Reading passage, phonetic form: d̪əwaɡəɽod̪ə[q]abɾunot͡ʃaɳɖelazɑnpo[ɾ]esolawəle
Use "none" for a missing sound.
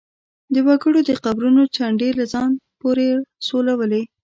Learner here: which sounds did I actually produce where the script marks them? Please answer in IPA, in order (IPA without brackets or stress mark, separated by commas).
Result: q, ɾ